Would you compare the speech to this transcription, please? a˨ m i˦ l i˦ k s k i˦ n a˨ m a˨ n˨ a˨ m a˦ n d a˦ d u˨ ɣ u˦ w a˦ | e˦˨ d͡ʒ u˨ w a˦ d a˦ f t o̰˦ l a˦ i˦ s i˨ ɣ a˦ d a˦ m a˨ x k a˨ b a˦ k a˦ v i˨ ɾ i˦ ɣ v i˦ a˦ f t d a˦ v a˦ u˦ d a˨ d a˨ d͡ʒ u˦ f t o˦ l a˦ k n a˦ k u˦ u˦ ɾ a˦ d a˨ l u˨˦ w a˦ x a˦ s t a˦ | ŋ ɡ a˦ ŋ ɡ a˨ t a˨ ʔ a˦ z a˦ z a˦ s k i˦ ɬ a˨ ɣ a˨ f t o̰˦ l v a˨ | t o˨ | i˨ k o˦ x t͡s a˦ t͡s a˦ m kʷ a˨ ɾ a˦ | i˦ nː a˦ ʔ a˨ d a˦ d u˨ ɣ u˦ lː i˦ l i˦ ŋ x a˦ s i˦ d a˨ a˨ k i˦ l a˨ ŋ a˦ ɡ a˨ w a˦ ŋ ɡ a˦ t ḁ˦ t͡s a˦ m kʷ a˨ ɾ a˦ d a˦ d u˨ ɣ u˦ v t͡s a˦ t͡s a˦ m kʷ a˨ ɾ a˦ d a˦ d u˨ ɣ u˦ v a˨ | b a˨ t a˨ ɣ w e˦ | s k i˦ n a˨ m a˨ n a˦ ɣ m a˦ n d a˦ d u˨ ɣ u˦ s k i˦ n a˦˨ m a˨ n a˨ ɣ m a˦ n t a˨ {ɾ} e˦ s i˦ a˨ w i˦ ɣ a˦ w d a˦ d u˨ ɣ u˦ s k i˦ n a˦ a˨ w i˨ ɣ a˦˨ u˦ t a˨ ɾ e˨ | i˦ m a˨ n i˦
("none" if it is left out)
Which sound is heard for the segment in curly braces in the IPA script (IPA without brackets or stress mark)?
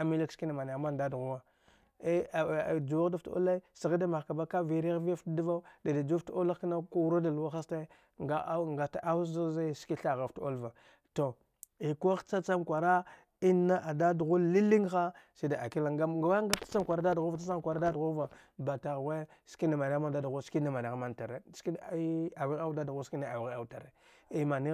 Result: ɾ